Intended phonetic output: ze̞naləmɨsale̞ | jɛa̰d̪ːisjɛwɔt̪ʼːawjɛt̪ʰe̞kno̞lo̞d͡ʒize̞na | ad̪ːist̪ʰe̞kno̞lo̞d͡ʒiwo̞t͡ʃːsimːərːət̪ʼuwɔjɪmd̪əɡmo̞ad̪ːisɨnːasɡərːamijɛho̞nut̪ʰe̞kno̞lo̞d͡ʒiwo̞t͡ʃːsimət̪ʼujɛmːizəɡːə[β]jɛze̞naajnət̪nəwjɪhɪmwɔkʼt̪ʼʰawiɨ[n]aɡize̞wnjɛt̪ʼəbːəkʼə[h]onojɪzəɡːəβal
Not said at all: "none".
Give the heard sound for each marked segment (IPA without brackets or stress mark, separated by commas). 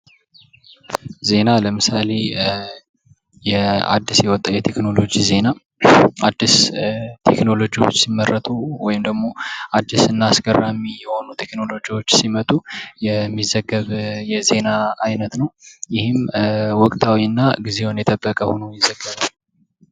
β, nː, h